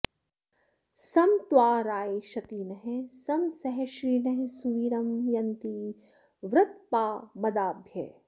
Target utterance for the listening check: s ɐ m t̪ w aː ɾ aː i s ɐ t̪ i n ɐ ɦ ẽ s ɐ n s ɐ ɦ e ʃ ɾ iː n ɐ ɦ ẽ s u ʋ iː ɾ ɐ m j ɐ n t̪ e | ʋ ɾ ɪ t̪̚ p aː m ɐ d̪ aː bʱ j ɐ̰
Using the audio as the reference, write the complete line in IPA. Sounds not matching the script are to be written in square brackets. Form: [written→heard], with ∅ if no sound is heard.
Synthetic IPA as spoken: s ɐ m t̪ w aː ɾ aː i [s→ʃ] ɐ t̪ i n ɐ ɦ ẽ s ɐ [n→m] s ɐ ɦ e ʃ ɾ iː n ɐ ɦ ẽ s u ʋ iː ɾ ɐ m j ɐ n t̪ [e→i] | ʋ ɾ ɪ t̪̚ p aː m ɐ d̪ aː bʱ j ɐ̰